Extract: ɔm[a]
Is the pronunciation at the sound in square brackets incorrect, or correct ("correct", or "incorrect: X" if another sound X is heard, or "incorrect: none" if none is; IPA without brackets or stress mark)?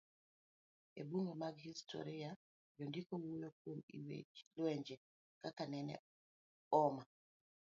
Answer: correct